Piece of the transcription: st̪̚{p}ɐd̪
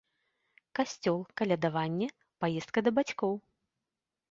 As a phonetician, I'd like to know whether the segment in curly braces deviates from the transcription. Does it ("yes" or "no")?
yes